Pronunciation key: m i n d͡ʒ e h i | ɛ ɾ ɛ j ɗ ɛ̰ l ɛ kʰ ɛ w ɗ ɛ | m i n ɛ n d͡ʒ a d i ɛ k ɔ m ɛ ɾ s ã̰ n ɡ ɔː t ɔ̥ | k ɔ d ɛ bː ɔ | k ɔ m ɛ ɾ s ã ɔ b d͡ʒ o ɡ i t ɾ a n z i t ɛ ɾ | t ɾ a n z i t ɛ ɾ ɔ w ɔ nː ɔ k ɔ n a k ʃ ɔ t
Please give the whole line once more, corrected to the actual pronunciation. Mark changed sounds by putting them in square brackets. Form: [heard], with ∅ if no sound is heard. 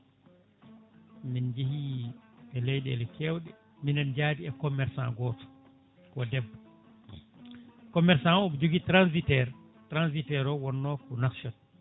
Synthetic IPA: m i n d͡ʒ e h i | ɛ [l] ɛ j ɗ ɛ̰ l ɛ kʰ ɛ w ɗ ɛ | m i n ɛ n d͡ʒ a d i ɛ k ɔ m ɛ ɾ s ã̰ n ɡ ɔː t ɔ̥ | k ɔ d ɛ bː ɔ | k ɔ m ɛ ɾ s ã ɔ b d͡ʒ o ɡ i t ɾ a n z i t ɛ ɾ | t ɾ a n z i t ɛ ɾ ɔ w ɔ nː ɔ k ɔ n a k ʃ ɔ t